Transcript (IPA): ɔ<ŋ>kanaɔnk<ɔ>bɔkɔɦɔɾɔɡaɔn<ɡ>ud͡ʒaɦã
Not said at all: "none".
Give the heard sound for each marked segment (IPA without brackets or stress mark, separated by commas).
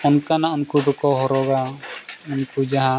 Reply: n, u, k